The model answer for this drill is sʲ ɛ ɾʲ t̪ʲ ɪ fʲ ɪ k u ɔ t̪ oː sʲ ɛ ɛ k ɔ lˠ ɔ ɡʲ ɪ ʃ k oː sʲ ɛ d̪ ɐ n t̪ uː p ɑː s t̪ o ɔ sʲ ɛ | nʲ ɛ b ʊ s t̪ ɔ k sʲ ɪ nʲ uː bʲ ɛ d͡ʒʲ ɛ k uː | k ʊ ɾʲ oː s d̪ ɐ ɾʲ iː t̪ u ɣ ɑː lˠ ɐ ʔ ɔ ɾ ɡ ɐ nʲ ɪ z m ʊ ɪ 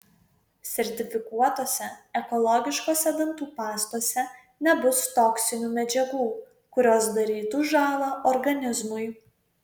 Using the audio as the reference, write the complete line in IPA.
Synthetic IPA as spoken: sʲ ɛ ɾʲ t̪ʲ ɪ fʲ ɪ k u ɔ t̪ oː sʲ ɛ ɛ k ɔ lˠ ɔ ɡʲ ɪ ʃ k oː sʲ ɛ d̪ ɐ n t̪ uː p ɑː s t̪ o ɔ sʲ ɛ | nʲ ɛ b ʊ s t̪ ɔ k sʲ ɪ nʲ uː mʲ ɛ d͡ʒʲ ɛ ɡ uː | k ʊ ɾʲ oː s d̪ ɐ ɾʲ iː t̪ u ʒ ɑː lˠ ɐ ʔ ɔ ɾ ɡ ɐ nʲ ɪ z m ʊ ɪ